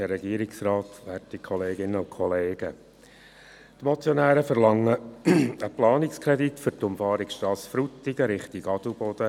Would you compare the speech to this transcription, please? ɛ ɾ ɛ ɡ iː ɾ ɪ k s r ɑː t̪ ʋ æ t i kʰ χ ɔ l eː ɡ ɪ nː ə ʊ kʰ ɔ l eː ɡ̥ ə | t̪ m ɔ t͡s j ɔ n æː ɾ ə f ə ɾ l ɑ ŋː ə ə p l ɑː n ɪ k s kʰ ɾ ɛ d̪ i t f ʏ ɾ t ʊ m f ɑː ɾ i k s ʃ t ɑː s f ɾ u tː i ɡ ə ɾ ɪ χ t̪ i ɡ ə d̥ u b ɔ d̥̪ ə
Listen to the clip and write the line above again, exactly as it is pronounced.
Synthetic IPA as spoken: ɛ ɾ ɛ ɡ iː ɾ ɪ k s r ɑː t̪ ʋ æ t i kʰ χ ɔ l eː ɡ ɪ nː ə ʊ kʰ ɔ l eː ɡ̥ ə | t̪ m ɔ t͡s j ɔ n æː ɾ ə f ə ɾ l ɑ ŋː ə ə p l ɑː n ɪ k s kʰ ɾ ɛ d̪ i t f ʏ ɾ t ʊ m f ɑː ɾ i k s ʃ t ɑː s f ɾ u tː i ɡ ə ɾ ɪ χ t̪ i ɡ ɑ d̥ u b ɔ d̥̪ ə